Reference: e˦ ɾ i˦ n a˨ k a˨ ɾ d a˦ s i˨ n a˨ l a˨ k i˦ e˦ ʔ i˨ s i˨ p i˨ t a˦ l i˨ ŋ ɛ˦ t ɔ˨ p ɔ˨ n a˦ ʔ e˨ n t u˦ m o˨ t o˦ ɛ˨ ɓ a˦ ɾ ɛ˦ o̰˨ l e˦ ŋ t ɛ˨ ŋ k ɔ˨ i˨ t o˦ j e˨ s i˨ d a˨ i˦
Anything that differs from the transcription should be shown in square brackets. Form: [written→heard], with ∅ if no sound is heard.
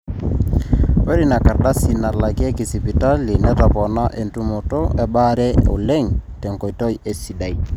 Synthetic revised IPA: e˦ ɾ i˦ n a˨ k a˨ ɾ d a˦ s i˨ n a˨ l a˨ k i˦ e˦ [ʔ→k] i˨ s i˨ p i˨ t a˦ l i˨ [ŋ→n] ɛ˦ t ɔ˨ p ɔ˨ n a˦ ʔ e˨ n t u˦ m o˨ t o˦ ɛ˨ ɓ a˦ ɾ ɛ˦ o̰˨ l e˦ ŋ t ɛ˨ ŋ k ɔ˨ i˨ t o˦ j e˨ s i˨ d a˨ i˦